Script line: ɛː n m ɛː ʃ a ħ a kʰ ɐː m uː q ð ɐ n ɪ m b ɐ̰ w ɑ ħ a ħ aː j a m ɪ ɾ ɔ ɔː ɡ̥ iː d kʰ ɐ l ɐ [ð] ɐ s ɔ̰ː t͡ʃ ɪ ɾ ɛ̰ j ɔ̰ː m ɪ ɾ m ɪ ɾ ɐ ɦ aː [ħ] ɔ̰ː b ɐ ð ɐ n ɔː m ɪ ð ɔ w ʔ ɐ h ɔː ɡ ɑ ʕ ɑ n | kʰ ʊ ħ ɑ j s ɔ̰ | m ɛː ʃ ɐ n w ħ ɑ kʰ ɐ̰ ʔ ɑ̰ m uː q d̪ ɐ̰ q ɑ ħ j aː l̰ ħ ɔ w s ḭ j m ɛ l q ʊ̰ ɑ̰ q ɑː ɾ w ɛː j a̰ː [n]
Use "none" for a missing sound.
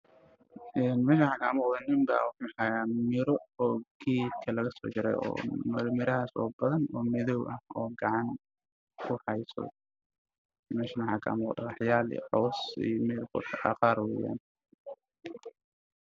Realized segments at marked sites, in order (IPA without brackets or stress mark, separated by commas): ɣ, s, n